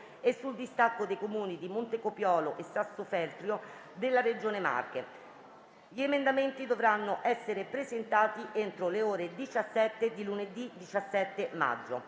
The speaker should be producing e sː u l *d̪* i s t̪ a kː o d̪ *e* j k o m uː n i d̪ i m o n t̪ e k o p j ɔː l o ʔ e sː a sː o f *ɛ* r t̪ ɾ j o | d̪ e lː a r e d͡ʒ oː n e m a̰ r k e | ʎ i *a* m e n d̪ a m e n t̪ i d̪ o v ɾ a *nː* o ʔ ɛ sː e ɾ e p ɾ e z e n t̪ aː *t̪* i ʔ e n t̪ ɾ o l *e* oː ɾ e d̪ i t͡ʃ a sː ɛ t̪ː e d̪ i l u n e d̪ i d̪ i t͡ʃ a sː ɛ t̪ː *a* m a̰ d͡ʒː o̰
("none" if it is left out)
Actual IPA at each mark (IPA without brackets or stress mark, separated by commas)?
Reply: d̪, e, ɛ, e, nː, t̪, e, e